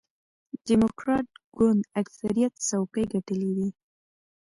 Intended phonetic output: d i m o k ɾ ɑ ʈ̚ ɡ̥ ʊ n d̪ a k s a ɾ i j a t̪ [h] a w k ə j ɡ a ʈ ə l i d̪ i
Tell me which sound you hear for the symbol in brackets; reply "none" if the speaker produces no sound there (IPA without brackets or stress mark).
s